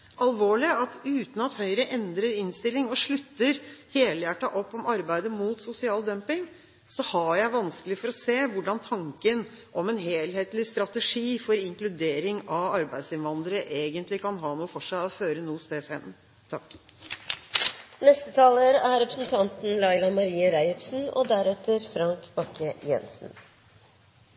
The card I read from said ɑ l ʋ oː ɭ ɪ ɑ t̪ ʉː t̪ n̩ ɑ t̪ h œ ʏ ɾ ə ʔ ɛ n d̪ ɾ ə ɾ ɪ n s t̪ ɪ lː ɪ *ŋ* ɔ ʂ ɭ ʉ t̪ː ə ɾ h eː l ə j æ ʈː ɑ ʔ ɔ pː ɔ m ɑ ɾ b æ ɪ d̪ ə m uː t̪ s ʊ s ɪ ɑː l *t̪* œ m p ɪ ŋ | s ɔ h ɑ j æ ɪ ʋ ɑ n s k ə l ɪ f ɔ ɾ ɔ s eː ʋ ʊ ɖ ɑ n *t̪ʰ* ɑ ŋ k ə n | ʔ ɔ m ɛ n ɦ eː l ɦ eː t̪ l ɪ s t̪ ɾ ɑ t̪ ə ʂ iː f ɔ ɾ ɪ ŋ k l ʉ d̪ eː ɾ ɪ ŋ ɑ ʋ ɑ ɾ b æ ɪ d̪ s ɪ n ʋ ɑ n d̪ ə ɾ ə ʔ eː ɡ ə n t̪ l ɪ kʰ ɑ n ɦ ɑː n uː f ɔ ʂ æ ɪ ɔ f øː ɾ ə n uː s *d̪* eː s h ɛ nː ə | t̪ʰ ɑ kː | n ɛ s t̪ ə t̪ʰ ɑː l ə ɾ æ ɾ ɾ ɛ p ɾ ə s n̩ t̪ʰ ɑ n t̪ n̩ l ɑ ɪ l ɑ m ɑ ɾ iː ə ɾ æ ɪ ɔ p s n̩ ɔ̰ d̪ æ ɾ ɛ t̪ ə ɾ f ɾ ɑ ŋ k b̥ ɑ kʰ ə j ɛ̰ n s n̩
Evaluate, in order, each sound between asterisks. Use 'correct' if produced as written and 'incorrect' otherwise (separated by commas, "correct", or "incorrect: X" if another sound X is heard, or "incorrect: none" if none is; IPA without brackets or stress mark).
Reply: correct, incorrect: d̪, correct, incorrect: t̪